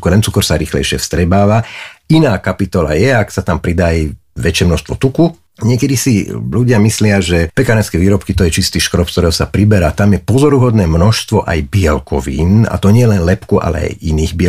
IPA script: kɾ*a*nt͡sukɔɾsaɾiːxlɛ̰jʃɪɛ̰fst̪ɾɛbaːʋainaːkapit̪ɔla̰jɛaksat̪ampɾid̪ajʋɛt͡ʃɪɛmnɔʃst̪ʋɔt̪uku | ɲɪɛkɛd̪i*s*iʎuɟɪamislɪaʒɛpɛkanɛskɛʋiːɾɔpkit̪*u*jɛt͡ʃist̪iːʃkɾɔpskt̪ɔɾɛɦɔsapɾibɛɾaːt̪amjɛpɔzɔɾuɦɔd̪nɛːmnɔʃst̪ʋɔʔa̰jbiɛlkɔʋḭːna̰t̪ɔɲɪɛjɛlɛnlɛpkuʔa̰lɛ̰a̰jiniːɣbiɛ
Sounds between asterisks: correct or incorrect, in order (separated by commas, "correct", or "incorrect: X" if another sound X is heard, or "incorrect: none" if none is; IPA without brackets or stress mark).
incorrect: ɛ, correct, incorrect: ɔ